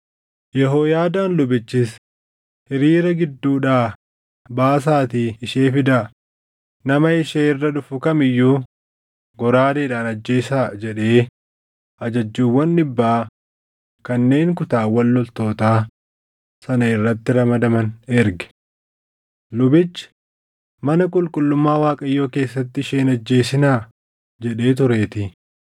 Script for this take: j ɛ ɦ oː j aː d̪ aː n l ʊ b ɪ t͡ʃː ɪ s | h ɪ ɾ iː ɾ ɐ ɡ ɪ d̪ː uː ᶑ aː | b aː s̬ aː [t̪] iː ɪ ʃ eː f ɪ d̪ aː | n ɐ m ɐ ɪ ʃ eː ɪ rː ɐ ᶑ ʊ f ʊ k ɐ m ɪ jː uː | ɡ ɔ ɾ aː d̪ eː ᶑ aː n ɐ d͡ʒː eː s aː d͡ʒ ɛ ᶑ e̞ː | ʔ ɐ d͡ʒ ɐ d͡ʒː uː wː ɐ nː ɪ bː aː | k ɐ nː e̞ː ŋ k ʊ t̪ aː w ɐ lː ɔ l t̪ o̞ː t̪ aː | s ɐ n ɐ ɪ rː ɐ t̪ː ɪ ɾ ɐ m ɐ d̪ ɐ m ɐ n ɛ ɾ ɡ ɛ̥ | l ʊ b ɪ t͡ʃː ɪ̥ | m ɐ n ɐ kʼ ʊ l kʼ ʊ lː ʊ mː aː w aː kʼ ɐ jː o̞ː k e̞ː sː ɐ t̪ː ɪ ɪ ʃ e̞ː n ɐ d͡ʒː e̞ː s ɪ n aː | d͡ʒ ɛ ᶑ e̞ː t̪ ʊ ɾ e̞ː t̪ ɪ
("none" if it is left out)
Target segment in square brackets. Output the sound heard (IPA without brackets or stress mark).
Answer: t̪